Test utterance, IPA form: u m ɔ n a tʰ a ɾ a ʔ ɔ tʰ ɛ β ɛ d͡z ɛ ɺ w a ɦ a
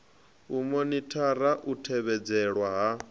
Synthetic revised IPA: u m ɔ n i tʰ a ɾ a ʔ u tʰ ɛ β ɛ d͡z ɛ ɺ w a ɦ a